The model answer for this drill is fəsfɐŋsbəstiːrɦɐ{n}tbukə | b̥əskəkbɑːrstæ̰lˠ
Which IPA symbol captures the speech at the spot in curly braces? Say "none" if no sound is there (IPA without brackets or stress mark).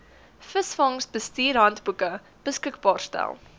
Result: n